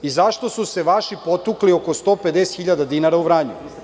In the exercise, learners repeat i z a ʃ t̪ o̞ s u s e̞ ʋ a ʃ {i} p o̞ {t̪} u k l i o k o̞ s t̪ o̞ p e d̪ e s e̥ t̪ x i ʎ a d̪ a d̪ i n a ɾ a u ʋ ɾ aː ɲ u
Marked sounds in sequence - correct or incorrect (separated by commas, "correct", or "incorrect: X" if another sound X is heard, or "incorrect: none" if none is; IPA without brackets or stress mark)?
correct, correct